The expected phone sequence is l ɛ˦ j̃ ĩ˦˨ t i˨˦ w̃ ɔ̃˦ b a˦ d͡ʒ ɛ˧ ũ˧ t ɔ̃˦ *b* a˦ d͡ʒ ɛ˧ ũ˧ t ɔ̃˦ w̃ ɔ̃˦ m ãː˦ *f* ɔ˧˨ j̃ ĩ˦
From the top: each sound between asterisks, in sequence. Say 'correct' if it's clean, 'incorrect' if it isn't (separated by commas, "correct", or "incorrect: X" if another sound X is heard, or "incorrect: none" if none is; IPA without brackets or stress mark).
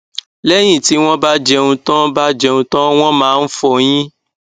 correct, correct